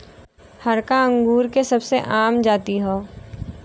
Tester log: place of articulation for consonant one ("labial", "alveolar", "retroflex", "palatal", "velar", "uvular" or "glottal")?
glottal